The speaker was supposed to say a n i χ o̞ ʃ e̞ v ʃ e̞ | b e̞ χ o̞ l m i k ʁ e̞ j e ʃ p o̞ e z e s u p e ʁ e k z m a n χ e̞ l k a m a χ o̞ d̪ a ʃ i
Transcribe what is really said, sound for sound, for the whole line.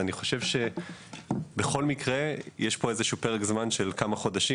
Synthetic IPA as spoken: a n i χ o̞ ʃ e̞ v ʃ e̞ | b e̞ χ o̞ l m i k ʁ e̞ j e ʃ p o̞ e z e ʃ u p e ʁ e k z m a n ʃ e̞ l k a m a χ o̞ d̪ a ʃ i